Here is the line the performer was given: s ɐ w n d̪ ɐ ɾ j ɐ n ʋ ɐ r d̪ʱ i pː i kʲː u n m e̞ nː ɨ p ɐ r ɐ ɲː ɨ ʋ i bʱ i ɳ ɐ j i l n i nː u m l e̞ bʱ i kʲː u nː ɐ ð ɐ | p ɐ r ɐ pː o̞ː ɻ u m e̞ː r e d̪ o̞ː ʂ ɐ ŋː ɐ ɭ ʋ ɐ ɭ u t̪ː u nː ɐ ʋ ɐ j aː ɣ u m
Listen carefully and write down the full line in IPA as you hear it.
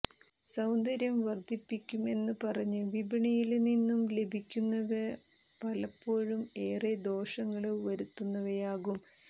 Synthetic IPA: s ɐ w n d̪ ɐ ɾ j ɐ m ʋ ɐ r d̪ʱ i pː i kʲː u m e̞ nː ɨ p ɐ r ɐ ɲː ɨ ʋ i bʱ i ɳ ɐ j i l n i nː u m l e̞ bʱ i kʲː u nː ɐ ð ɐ | p ɐ l ɐ pː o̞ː ɻ u m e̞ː r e d̪ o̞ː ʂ ɐ ŋː ɐ ɭ ʋ ɐ ɾ u t̪ː u nː ɐ ʋ ɐ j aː ɣ u m